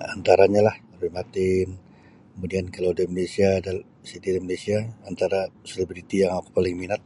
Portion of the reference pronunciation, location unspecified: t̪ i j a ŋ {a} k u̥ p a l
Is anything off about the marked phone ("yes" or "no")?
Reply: no